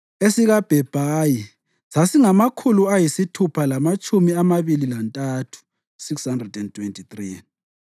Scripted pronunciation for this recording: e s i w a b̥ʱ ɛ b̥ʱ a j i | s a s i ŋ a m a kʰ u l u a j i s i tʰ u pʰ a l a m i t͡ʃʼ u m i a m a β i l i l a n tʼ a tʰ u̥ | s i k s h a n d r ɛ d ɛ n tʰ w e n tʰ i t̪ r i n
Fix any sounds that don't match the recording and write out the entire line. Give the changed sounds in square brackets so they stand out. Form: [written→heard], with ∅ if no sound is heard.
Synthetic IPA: e s i [w→ɣ] a b̥ʱ ɛ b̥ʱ a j i | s a s i ŋ a m a kʰ u l u a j i s i tʰ u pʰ a l a m [i→a] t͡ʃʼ u m i a m a β i l i l a n tʼ a tʰ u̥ | s i k s h a n d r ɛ d ɛ n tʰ w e n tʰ i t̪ r i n